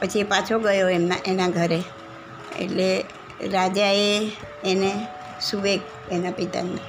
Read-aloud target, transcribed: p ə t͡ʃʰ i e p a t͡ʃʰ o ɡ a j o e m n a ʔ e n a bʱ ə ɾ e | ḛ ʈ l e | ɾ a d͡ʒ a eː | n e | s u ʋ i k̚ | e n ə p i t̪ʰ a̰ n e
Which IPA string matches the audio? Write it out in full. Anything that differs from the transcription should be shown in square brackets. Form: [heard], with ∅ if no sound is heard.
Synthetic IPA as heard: p ə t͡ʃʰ i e p a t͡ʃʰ o ɡ [ə] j o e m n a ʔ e n a [ɡʱ] ə ɾ e | ḛ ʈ l e | ɾ a d͡ʒ a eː | n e | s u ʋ [e] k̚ | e n [a] p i [t̪] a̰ n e